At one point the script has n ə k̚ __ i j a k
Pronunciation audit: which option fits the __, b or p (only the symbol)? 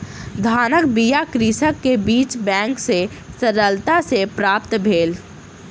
b